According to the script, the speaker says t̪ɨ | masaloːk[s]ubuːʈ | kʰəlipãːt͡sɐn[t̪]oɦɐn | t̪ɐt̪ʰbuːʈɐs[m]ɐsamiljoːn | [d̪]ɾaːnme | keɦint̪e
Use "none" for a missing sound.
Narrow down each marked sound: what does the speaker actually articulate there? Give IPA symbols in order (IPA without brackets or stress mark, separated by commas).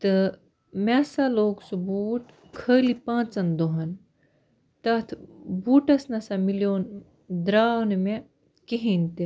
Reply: s, d̪, n, d̪